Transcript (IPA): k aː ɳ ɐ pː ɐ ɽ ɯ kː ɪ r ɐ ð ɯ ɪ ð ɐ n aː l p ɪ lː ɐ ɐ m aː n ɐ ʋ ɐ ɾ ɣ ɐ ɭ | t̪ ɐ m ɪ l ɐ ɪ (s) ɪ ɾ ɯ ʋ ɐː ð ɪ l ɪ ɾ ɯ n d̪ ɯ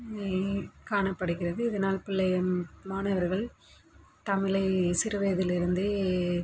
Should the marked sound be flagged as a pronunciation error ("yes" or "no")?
no